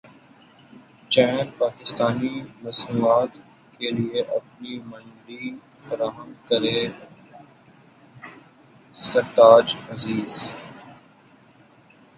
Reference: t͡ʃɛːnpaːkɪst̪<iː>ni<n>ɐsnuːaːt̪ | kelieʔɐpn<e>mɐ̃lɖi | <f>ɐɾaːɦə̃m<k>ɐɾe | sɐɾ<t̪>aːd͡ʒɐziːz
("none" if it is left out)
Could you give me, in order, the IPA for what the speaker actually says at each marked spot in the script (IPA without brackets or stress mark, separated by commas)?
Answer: aː, m, i, f, k, t̪